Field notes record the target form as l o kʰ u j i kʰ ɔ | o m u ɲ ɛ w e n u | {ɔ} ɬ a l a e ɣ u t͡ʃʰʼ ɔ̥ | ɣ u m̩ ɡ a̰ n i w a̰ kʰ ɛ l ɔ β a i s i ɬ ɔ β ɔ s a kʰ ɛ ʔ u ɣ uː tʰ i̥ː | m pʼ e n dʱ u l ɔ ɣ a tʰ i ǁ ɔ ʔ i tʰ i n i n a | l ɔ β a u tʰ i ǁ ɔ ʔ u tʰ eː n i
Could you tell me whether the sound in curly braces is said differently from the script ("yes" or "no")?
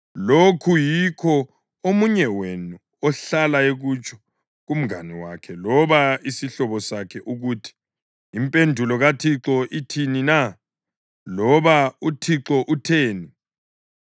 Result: no